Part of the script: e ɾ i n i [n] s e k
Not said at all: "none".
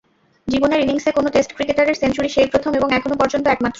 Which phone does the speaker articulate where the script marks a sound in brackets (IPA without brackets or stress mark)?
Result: ŋ